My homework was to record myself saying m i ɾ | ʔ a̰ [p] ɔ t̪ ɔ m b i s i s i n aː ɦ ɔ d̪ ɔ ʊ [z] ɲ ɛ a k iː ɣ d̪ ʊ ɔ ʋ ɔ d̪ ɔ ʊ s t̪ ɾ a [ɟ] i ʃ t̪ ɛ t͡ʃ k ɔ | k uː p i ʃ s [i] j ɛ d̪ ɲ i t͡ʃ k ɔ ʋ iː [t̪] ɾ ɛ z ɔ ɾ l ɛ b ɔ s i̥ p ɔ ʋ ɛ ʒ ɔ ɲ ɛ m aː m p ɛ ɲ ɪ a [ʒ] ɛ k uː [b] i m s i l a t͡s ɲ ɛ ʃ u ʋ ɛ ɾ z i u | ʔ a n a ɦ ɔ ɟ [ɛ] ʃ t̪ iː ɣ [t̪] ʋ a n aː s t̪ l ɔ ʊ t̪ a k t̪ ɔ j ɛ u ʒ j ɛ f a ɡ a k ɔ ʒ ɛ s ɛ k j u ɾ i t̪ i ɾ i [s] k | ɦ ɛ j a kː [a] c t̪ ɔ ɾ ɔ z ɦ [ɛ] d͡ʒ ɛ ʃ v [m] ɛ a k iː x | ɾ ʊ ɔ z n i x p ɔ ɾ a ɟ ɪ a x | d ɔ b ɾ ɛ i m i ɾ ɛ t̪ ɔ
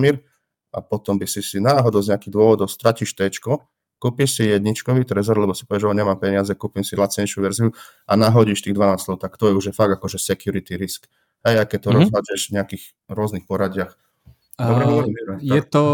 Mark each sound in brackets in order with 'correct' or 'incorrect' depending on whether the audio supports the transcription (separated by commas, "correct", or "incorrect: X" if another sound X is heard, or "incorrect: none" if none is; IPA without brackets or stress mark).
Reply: correct, correct, incorrect: c, correct, correct, incorrect: z, incorrect: p, incorrect: i, incorrect: d̪, correct, incorrect: ɛ, incorrect: a, incorrect: ɲ